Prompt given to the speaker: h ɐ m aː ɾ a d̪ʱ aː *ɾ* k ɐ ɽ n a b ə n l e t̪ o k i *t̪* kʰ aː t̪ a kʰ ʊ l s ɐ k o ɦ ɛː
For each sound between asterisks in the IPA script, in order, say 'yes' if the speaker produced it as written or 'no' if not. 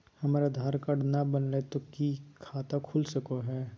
yes, no

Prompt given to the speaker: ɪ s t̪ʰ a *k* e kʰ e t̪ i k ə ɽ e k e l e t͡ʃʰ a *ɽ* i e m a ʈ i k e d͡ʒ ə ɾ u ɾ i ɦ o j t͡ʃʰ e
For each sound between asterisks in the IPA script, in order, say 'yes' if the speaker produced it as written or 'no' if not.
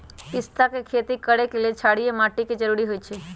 yes, yes

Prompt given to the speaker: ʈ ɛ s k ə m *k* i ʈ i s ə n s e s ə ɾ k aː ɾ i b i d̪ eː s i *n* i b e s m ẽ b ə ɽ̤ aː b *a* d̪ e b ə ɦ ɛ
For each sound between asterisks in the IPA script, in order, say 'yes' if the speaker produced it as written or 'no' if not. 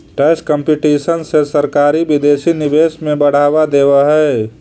no, yes, yes

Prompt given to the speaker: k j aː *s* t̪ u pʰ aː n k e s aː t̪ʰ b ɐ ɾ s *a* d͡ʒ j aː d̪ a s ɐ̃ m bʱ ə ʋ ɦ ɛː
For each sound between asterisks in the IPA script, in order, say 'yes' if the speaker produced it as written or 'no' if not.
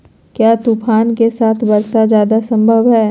no, yes

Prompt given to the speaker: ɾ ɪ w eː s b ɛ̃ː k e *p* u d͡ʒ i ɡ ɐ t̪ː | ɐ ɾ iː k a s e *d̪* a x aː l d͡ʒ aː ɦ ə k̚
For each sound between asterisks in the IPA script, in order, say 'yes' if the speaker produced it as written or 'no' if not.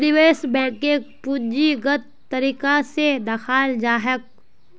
yes, yes

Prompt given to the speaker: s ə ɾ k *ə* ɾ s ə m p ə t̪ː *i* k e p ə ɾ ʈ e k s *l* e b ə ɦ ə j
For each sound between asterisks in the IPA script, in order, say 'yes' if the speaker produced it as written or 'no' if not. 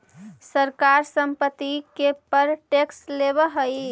no, yes, yes

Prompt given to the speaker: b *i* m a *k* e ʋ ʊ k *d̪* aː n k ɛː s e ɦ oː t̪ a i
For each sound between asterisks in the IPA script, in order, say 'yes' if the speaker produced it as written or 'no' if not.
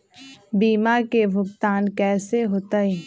no, yes, no

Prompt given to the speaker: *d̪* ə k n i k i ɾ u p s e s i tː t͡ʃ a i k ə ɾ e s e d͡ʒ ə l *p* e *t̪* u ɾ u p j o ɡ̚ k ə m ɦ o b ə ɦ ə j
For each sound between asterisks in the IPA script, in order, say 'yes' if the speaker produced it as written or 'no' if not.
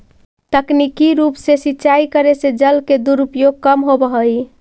no, no, no

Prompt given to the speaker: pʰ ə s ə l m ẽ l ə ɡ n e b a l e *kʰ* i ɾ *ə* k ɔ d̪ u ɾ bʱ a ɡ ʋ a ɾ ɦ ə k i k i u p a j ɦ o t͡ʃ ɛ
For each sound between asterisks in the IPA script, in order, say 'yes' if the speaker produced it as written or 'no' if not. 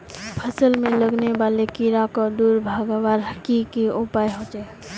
no, no

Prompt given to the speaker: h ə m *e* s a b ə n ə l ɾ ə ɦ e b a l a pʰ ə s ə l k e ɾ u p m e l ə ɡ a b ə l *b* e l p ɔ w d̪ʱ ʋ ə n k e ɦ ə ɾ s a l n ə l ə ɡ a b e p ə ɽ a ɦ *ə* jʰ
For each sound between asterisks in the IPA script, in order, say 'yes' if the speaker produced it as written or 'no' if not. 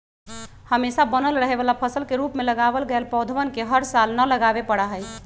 yes, no, yes

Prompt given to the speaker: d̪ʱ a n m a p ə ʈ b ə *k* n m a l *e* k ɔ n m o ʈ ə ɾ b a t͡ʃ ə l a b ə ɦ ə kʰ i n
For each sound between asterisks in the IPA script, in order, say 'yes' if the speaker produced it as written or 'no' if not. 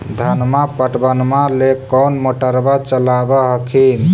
no, yes

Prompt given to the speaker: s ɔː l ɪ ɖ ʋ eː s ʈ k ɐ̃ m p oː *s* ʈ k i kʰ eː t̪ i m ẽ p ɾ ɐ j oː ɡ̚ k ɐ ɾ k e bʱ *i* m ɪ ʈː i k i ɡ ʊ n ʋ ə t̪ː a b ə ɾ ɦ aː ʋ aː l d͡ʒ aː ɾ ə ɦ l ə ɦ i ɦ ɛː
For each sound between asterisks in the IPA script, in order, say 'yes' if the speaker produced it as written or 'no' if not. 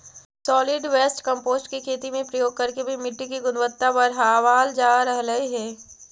yes, yes

